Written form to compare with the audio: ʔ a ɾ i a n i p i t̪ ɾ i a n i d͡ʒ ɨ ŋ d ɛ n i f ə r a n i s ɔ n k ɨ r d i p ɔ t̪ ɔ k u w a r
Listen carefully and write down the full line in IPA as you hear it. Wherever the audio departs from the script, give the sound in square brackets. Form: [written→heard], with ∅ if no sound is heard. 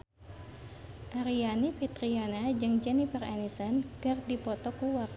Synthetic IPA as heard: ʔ a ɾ i a n i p i t̪ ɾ i a n [i→a] d͡ʒ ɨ ŋ [d→d͡ʒ] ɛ n i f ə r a n i s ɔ n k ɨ r d i p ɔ t̪ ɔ k u w a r

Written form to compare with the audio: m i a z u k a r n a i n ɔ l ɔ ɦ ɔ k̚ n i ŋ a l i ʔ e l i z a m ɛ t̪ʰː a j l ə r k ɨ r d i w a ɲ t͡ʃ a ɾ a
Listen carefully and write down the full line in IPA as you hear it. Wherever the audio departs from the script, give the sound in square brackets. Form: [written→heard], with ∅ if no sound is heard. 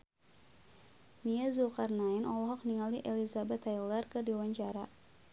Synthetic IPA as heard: m i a z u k a r n a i n ɔ l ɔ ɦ ɔ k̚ n i ŋ a l i ʔ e l i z a [m→b] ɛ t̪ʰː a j l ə r k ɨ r d i w a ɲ t͡ʃ a ɾ a

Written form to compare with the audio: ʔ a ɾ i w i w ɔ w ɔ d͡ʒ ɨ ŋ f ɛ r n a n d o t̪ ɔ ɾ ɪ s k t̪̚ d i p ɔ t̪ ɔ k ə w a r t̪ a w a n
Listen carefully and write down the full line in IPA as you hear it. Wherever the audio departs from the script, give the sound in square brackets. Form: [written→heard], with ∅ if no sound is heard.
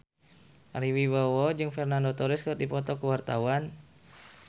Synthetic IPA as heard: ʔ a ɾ i w i w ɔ w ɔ d͡ʒ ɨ ŋ f ɛ r n a n d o t̪ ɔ ɾ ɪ s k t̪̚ d i p ɔ t̪ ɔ k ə w a r t̪ a w a n

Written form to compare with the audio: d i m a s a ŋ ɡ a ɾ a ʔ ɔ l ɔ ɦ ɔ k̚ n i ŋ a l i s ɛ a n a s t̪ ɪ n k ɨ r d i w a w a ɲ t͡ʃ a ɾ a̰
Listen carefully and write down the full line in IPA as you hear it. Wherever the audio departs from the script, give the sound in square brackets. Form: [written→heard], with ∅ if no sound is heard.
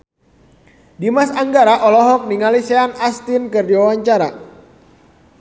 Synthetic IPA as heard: d i m a s a ŋ ɡ a ɾ a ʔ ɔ l ɔ ɦ ɔ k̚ n i ŋ a l i s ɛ a n a s t̪ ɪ n k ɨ r d i w a w a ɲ t͡ʃ a ɾ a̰

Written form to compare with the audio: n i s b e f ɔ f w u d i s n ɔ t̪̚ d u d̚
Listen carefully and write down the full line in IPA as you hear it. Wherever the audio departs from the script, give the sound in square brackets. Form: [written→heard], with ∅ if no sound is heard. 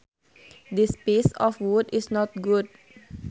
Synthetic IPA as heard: [n→d] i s [b→p] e [f→s] ɔ f w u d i s n ɔ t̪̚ [d→ɡ] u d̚

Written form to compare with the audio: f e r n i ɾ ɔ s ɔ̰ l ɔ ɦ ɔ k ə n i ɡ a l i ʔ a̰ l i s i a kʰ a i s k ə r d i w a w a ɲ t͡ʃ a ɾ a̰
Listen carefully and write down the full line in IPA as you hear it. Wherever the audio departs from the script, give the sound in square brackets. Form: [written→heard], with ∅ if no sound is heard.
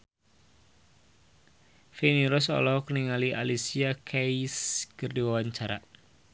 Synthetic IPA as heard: f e [r→∅] n i ɾ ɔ s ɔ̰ l ɔ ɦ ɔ k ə n i [ɡ→ŋ] a l i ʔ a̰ l i s i a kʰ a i s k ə r d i w a w a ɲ t͡ʃ a ɾ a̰

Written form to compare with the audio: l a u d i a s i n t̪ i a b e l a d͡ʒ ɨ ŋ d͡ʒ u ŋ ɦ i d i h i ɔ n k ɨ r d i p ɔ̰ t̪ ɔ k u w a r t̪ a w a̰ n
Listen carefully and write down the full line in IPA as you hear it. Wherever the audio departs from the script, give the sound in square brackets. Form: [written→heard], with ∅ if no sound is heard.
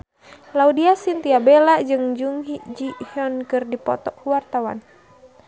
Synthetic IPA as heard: l a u d i a s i n t̪ i a b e l a d͡ʒ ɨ ŋ d͡ʒ u ŋ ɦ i [d→d͡ʒ] i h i ɔ n k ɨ r d i p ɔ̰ t̪ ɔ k u w a r t̪ a w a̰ n

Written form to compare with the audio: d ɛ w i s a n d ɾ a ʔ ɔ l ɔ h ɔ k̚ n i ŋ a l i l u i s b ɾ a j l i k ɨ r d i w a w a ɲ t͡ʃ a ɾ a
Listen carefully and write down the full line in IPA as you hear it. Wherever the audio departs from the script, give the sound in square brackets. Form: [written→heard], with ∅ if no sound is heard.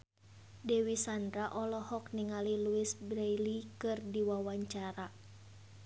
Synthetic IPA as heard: d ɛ w i s a n d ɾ a ʔ ɔ l ɔ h ɔ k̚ n i ŋ a l i l u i s b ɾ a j l i k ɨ r d i w a w a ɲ t͡ʃ a ɾ a

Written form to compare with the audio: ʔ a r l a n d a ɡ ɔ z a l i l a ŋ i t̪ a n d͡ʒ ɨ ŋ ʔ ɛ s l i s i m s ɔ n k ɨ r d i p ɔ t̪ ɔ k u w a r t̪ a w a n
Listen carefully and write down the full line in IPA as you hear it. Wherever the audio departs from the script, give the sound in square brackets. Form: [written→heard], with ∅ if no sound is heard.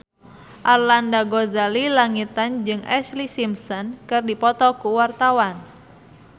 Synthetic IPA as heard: ʔ a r l a n d a ɡ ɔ z a l i l a ŋ i t̪ a n d͡ʒ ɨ ŋ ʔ ɛ s l i s i m s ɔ n k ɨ r d i p ɔ t̪ ɔ k u w a r t̪ a w a n

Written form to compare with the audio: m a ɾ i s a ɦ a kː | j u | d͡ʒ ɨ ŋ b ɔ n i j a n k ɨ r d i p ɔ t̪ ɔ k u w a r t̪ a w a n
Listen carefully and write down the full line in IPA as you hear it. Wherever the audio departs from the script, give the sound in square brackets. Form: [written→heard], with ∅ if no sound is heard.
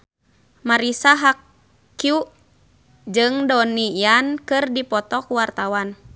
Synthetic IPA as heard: m a ɾ i s a ɦ a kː | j u | d͡ʒ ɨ ŋ [b→d] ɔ n i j a n k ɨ r d i p ɔ t̪ ɔ k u w a r t̪ a w a n

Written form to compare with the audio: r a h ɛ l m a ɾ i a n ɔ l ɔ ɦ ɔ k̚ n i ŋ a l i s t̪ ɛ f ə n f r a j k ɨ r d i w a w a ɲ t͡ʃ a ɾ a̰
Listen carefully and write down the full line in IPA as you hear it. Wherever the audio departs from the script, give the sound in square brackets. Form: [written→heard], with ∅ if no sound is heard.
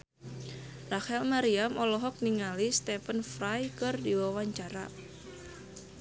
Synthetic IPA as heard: r a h ɛ l m a ɾ i a [n→m] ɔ l ɔ ɦ ɔ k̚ n i ŋ a l i s t̪ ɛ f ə n f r a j k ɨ r d i w a w a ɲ t͡ʃ a ɾ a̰

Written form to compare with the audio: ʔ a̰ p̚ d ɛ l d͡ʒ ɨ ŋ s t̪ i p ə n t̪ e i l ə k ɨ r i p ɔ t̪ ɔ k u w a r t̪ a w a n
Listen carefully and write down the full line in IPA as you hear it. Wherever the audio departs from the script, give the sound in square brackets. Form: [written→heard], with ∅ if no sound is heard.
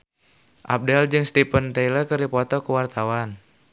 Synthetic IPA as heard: ʔ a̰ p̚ d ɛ l d͡ʒ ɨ ŋ s t̪ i p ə n t̪ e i l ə k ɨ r i p ɔ t̪ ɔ k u w a r t̪ a w a n

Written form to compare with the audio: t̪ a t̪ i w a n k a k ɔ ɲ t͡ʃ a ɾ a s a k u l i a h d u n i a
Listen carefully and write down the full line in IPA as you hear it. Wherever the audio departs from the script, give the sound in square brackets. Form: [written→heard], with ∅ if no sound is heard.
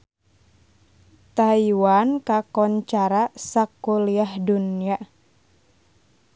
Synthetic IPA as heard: t̪ a [t̪→∅] i w a n k a k ɔ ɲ t͡ʃ a ɾ a s a k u l i a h d u n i a

